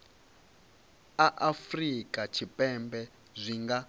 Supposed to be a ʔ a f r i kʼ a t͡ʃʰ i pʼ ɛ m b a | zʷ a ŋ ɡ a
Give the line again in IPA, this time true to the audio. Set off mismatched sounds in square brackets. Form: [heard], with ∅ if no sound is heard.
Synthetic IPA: a ʔ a f r i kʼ a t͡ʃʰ i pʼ ɛ m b [ɛ] | zʷ [i] ŋ ɡ a